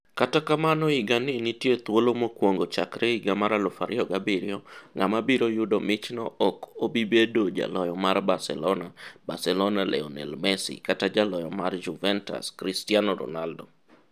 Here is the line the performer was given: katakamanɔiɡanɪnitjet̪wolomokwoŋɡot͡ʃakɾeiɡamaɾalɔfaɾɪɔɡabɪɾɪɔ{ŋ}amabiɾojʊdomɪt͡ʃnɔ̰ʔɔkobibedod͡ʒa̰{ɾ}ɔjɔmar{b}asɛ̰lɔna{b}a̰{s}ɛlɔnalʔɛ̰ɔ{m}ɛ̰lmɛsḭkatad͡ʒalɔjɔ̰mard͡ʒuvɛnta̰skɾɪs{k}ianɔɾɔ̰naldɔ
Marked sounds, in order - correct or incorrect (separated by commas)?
correct, incorrect, correct, correct, correct, incorrect, incorrect